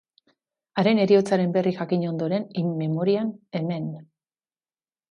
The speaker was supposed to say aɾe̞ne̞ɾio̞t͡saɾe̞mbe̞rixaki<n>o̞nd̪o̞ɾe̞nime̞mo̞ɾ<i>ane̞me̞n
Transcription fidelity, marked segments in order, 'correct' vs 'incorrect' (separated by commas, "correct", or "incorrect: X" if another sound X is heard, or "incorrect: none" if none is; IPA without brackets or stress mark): incorrect: ɲ, correct